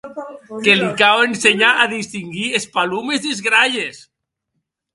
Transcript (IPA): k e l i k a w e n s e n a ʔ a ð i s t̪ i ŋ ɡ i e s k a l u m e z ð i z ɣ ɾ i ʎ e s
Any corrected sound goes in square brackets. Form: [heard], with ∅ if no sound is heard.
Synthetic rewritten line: k e l i k a w e n s e [ɲ] a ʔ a ð i s t̪ i ŋ ɡ i e s [p] a l u m e z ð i z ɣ ɾ [a] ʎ e s